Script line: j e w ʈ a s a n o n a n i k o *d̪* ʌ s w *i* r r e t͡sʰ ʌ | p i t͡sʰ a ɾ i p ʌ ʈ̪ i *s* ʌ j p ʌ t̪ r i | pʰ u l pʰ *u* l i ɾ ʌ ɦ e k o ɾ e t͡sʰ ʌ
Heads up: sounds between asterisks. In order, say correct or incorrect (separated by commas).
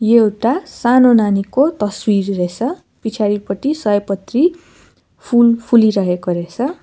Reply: incorrect, correct, correct, correct